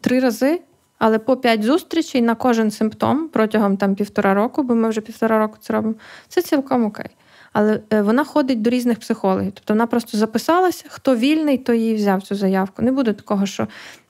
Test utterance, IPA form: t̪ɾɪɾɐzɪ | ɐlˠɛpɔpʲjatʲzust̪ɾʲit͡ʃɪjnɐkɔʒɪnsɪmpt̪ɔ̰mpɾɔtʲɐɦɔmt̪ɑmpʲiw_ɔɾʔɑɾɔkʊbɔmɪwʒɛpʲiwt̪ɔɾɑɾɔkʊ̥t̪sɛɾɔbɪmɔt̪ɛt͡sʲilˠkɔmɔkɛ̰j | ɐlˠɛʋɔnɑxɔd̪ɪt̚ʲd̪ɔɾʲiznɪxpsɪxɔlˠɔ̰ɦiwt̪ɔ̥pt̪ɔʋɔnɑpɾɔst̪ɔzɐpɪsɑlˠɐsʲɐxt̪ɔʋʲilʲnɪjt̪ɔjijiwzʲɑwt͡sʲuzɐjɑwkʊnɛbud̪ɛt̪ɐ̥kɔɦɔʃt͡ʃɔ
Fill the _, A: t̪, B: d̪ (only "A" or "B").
A